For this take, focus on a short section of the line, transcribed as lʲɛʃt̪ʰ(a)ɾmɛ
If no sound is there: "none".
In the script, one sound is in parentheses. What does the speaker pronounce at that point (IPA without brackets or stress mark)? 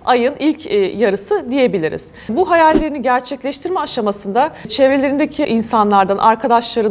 i